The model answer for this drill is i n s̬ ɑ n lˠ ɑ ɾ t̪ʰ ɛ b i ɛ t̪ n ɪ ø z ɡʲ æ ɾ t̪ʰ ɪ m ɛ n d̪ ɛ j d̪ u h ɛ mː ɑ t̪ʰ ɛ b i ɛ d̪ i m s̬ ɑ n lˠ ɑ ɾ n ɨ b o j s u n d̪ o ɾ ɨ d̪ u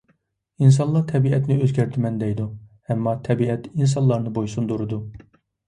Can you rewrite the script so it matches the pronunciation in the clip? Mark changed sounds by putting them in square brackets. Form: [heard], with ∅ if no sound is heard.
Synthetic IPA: i n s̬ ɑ n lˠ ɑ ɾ t̪ʰ ɛ b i ɛ t̪ n ɪ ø z ɡʲ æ ɾ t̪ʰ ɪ m ɛ n d̪ ɛ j d̪ u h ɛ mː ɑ t̪ʰ ɛ b i ɛ [t̪] i [n] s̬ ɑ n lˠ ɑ ɾ n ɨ b o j s u n d̪ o ɾ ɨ d̪ u